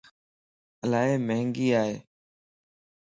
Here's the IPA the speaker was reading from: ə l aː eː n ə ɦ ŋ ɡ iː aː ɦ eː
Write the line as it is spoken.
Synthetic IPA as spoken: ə l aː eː m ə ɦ ŋ ɡ iː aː ɦ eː